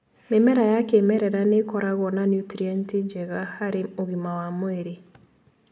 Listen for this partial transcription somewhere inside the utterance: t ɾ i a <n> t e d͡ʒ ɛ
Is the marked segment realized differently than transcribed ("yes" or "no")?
no